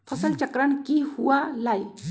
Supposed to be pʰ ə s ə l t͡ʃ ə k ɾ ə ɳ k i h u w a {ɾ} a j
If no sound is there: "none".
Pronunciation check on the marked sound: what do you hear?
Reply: l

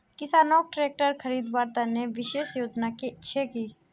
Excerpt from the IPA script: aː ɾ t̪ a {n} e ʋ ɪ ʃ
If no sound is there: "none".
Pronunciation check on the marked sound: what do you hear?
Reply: n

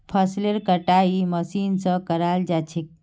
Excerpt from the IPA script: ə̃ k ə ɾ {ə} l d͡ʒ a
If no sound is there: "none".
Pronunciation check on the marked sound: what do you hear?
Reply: a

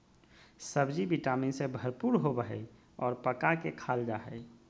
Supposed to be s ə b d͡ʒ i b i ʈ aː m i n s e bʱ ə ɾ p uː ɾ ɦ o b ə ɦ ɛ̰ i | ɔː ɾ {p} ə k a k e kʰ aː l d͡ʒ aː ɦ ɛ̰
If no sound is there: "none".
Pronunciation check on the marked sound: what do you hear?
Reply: p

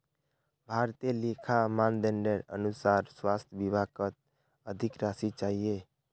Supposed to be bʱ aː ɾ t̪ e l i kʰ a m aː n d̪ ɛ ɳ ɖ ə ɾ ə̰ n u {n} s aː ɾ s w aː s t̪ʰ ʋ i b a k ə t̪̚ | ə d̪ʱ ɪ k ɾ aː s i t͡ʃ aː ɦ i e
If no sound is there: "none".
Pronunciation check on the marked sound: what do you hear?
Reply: none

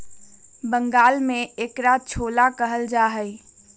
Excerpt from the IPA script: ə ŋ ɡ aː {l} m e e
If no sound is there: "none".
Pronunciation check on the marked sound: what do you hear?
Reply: l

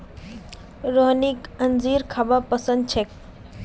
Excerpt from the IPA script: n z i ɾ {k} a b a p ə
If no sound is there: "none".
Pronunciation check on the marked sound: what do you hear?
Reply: kʰ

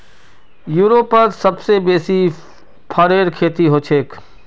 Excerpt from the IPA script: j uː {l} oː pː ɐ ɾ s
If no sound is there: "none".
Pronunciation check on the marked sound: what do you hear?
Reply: ɾ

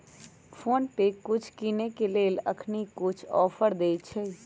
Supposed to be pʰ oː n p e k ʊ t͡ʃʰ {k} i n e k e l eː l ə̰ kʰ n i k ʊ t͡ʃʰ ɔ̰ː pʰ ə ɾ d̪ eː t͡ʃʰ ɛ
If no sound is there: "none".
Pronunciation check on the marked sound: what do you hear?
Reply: k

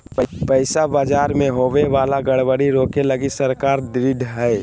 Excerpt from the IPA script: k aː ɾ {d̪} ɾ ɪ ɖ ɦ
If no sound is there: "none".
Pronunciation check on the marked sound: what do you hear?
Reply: d̪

